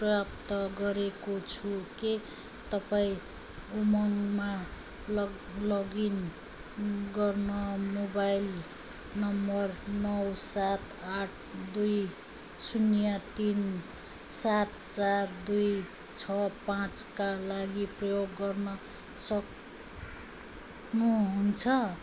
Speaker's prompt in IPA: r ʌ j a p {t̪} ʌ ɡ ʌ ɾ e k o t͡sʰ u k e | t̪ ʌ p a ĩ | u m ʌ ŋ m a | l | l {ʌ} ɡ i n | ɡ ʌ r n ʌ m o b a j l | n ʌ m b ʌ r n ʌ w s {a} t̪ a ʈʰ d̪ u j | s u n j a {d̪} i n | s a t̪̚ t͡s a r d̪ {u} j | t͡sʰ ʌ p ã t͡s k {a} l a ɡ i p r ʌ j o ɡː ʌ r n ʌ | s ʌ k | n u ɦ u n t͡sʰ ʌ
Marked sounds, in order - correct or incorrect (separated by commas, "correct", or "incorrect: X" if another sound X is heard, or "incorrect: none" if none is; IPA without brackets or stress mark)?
correct, correct, correct, incorrect: t̪, correct, correct